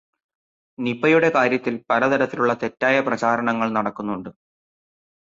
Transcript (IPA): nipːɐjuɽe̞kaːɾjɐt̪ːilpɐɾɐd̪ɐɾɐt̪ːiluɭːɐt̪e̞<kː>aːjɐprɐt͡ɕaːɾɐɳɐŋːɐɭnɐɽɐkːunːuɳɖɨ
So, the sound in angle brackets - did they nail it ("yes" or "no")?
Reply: no